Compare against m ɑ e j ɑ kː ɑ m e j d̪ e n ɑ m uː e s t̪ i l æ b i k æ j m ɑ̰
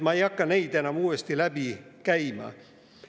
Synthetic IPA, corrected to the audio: m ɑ e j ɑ kː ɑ n e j d̪ e n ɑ m uː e s t̪ i l æ b i k æ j m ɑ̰